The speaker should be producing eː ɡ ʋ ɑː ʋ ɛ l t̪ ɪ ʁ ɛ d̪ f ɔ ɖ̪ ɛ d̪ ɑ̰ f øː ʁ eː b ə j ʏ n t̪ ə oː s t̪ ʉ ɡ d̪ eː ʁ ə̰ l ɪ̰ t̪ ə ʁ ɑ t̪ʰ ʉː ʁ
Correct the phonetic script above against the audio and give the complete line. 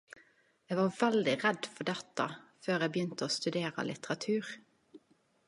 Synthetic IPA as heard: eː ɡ ʋ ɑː ʋ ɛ l d̪ ɪ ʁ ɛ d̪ f ɔ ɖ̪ ɛ t̪ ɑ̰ f øː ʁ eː b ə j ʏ n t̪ ə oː s t̪ ʉ d̪ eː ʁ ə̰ l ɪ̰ t̪ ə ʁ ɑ t̪ʰ ʉː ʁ